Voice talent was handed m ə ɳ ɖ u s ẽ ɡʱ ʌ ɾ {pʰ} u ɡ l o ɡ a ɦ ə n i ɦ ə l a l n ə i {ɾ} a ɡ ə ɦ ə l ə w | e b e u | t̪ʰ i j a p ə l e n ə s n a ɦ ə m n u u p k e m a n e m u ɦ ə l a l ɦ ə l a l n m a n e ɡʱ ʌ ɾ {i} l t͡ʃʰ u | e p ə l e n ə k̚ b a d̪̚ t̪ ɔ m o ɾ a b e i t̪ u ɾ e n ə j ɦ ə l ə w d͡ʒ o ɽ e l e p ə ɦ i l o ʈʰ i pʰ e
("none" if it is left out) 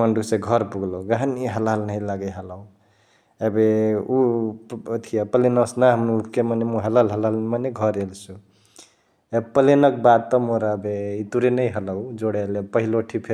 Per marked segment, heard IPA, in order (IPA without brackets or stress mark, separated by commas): p, l, e